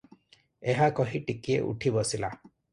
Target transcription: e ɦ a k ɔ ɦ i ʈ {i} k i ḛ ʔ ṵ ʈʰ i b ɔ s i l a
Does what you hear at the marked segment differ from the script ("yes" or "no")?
no